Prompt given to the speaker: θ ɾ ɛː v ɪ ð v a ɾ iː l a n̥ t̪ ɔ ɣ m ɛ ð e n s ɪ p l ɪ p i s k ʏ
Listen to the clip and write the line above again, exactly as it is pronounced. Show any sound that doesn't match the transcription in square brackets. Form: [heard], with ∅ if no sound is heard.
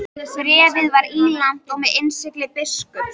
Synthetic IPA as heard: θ ɾ ɛː v ɪ ð v a ɾ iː l a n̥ t̪ ɔ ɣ m ɛ ð e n s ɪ [k] l ɪ p [ɪ] s k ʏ